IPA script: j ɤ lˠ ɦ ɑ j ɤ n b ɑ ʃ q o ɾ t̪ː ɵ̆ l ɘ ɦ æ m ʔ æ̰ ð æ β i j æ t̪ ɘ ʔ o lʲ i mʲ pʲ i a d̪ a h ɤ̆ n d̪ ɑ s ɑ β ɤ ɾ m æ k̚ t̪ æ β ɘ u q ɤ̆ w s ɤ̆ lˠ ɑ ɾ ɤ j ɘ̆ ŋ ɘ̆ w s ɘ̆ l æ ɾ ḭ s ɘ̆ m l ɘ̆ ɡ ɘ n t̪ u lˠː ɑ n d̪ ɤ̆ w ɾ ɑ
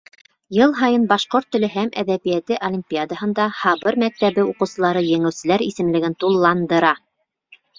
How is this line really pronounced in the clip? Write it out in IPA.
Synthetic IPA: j ɤ lˠ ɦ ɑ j ɤ n b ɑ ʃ q o ɾ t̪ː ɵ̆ l ɘ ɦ æ m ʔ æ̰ ð æ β i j æ t̪ ɘ ʔ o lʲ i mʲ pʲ i a d̪ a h ɤ̆ n d̪ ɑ h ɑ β ɤ ɾ m æ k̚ t̪ æ β ɘ u q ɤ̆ w s ɤ̆ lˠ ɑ ɾ ɤ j ɘ̆ ŋ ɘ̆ w s ɘ̆ l æ ɾ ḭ s ɘ̆ m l ɘ̆ ɡ ɘ n t̪ u lˠː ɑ n d̪ ɤ̆ ɾ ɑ